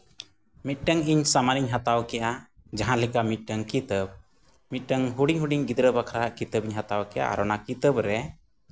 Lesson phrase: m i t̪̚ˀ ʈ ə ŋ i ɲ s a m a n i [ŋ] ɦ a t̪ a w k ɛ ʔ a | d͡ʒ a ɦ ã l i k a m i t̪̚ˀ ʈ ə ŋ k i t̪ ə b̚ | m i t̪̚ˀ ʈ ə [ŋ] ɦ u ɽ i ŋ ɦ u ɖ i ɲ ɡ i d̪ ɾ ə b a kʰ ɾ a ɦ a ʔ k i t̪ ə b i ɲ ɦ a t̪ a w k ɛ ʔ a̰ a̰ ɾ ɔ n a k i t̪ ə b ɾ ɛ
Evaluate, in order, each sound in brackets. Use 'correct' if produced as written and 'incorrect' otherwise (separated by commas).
incorrect, correct